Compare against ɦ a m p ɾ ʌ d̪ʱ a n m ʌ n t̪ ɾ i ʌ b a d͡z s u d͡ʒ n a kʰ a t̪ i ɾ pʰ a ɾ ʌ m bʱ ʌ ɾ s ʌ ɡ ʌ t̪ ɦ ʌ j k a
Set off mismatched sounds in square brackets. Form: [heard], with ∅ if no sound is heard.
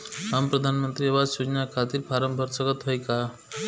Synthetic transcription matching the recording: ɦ a m p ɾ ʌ d̪ʱ a n m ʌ n t̪ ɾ i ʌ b a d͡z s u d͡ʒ n a kʰ a t̪ i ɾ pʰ a ɾ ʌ m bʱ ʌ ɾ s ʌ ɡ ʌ t̪ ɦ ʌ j k a